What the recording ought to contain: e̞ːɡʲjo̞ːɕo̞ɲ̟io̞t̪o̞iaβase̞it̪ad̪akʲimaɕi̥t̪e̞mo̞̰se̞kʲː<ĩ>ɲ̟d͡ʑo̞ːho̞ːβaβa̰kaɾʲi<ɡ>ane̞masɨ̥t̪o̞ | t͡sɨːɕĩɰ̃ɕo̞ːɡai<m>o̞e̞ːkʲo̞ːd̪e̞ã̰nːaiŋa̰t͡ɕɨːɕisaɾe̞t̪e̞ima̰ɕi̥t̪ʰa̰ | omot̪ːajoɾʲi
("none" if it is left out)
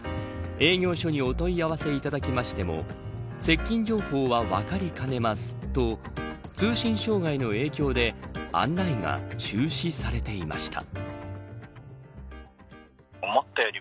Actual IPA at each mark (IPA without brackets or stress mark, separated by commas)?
ĩ, k, n